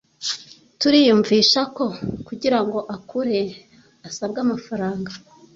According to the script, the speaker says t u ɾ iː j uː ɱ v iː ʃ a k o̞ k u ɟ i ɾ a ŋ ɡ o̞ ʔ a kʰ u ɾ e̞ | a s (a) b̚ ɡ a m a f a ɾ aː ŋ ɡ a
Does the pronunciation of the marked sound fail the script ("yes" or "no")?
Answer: no